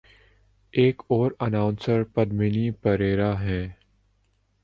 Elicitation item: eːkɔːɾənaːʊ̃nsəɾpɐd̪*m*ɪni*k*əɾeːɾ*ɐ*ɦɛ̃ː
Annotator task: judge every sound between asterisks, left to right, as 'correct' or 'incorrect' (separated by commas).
correct, incorrect, incorrect